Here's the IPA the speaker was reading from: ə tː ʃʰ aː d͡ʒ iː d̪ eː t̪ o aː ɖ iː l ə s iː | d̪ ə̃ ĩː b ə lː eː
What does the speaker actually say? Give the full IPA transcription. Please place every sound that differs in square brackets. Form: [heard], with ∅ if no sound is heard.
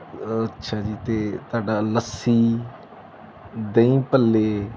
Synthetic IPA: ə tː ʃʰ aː d͡ʒ iː [t̪] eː t̪ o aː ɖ [aː] l ə s iː | d̪ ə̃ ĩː [p] ə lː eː